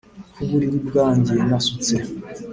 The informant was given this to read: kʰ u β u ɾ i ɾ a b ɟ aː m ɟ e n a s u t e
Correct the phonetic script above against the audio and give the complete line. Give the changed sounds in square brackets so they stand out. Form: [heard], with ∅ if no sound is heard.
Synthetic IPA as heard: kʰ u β u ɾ i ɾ [i] b [ɡ] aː [ɲ] ɟ e n a s u [t͡s] e